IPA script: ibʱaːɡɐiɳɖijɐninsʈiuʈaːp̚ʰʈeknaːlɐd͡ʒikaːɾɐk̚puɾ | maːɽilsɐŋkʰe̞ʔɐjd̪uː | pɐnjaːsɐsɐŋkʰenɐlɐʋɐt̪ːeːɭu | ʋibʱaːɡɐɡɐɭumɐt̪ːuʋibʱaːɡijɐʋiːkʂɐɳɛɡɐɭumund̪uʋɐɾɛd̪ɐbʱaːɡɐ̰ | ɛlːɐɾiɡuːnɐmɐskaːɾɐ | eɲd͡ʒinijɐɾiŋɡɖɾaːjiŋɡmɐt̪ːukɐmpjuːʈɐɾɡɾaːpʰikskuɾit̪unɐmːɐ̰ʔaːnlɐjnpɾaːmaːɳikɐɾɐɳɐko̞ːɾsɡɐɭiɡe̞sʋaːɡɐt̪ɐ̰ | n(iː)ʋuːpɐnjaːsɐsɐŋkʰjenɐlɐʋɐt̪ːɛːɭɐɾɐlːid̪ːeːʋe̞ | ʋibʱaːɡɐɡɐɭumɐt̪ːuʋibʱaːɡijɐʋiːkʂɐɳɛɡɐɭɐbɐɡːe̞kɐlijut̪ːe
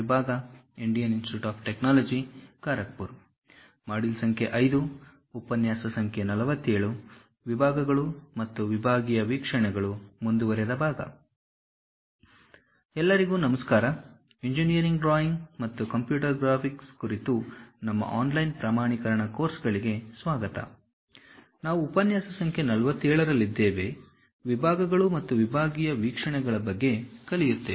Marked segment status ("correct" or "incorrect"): incorrect